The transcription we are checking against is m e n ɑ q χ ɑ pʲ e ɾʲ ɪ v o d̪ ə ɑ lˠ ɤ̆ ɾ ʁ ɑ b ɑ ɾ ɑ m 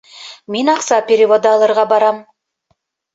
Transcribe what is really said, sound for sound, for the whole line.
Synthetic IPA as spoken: m e n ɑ q s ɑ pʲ e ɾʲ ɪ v o d̪ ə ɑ lˠ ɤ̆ ɾ ʁ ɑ b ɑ ɾ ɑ m